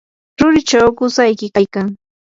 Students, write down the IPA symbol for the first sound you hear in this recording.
ɾ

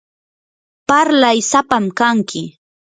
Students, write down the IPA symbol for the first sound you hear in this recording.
p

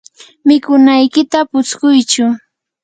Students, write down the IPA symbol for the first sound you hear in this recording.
m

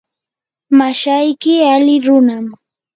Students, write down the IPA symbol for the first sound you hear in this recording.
m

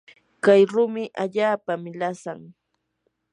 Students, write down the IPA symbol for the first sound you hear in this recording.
k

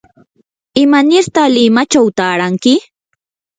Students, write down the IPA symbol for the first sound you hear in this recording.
ɪ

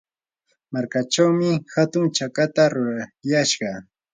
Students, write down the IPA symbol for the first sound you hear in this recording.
m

